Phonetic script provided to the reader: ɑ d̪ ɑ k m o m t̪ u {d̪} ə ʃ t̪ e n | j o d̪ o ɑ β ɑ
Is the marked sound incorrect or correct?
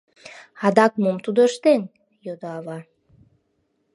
correct